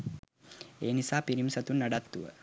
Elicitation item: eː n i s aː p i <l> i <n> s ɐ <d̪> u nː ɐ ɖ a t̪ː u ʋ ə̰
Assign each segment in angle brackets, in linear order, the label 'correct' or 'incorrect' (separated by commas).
incorrect, incorrect, incorrect